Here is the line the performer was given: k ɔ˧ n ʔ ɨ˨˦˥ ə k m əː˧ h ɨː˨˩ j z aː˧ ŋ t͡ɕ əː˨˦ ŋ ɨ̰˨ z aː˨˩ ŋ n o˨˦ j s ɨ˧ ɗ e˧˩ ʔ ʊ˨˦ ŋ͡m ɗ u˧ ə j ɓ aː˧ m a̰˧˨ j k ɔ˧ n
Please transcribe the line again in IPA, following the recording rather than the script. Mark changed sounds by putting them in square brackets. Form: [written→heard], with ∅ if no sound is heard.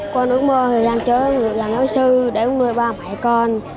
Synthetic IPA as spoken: k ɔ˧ n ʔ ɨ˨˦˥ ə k m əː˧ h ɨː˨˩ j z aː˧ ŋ t͡ɕ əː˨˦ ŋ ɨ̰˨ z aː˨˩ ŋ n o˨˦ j s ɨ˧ ɗ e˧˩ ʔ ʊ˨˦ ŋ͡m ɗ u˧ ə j ɓ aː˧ m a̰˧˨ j k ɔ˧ n